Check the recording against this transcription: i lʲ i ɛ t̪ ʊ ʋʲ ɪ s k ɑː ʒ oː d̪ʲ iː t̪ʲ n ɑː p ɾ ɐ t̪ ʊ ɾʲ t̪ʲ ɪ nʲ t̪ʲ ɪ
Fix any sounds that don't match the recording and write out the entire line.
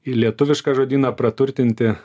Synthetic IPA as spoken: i lʲ i ɛ t̪ ʊ ʋʲ ɪ ʃ k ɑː ʒ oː d̪ʲ iː n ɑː p ɾ ɐ t̪ ʊ ɾʲ t̪ʲ ɪ nʲ t̪ʲ ɪ